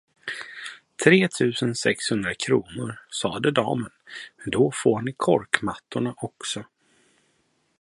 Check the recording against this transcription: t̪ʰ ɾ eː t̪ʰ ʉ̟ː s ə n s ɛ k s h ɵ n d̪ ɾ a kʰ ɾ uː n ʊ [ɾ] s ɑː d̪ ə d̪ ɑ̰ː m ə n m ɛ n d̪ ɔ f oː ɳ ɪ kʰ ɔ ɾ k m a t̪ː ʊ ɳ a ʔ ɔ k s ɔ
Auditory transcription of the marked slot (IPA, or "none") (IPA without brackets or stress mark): ɾ